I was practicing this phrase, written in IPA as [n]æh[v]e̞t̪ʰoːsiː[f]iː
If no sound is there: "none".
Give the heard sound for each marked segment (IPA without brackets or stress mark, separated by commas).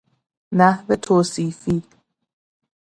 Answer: n, v, f